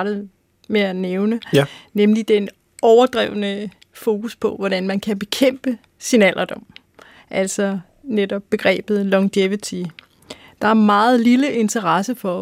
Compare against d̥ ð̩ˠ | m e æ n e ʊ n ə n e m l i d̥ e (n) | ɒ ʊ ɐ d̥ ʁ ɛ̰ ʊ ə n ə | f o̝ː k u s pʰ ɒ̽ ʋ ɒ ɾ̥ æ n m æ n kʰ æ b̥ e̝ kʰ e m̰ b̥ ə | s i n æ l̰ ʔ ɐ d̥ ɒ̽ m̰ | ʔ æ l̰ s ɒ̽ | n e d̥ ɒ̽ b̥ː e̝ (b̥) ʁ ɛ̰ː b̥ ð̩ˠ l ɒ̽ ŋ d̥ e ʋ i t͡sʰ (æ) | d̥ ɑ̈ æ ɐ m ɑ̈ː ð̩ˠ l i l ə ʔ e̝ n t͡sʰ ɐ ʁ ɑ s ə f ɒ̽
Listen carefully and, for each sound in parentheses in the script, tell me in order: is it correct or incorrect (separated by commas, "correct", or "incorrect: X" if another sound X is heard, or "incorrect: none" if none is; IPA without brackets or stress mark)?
correct, incorrect: ɡ̥, incorrect: i